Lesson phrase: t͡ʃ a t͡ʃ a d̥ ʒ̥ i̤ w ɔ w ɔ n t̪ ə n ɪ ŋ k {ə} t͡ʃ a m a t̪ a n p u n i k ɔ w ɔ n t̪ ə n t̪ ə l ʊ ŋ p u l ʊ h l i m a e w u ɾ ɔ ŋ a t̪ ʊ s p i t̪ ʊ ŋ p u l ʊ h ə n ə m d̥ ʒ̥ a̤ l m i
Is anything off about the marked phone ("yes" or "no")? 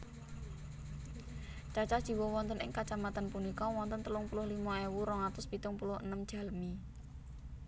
yes